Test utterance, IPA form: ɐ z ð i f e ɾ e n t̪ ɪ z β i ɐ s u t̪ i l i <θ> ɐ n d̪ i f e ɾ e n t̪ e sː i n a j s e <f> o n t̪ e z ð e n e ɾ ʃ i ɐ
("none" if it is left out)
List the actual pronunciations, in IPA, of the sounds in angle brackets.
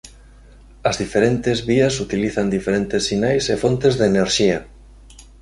θ, f

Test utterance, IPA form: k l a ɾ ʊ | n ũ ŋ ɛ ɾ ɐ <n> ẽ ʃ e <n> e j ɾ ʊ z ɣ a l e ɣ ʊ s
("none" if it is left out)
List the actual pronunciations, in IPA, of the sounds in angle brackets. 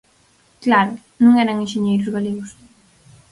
ŋ, ɲ

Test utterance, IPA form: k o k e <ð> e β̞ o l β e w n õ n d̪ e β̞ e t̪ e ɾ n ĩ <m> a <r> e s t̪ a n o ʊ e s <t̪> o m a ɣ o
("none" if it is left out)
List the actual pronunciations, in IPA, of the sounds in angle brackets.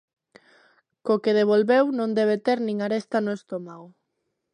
ð, ŋ, ɾ, t̪

